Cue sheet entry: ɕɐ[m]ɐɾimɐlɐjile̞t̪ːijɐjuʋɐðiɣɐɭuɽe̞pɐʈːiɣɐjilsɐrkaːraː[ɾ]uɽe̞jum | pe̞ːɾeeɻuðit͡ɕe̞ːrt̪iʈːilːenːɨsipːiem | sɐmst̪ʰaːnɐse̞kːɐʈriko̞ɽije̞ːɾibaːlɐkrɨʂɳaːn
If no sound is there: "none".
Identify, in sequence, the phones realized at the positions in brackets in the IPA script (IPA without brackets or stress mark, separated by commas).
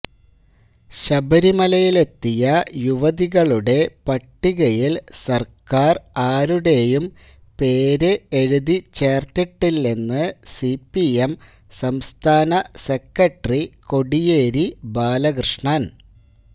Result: b, ɾ